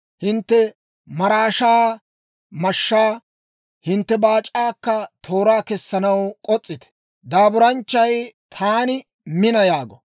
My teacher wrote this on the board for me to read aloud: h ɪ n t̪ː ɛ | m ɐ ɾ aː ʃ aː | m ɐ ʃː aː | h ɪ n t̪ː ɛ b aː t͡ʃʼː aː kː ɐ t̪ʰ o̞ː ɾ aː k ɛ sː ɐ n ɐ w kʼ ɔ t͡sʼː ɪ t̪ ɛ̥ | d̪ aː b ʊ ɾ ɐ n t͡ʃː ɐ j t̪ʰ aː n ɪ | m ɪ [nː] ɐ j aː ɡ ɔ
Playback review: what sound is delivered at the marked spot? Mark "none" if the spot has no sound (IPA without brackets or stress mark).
n